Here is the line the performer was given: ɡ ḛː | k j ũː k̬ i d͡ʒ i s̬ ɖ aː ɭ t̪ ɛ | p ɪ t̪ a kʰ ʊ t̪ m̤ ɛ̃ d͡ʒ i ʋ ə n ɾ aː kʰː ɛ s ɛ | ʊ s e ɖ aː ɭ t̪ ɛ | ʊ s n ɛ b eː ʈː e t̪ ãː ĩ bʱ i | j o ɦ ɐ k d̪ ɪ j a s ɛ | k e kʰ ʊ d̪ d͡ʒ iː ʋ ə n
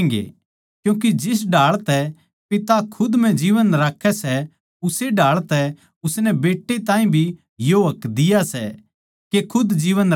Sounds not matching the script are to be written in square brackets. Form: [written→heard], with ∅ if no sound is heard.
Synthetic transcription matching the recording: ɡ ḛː | k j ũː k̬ i d͡ʒ [i→ɪ] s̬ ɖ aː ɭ t̪ ɛ | p ɪ t̪ a kʰ ʊ [t̪→d̪] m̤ ɛ̃ d͡ʒ [i→iː] ʋ ə n ɾ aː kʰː ɛ s ɛ | ʊ s e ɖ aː ɭ t̪ ɛ | ʊ s n ɛ b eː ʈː e t̪ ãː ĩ bʱ i | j o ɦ ɐ k d̪ ɪ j a s ɛ | k e kʰ ʊ d̪ d͡ʒ iː ʋ ə n